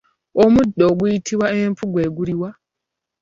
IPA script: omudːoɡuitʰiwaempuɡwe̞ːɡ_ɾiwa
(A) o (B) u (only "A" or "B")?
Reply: B